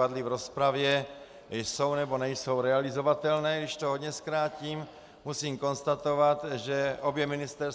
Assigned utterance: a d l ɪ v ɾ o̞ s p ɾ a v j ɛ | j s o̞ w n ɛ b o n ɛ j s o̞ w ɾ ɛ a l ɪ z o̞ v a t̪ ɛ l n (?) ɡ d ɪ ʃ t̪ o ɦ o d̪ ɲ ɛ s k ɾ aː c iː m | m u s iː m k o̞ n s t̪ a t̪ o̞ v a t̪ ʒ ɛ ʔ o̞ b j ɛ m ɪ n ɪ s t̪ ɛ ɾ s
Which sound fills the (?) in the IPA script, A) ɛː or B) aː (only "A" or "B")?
A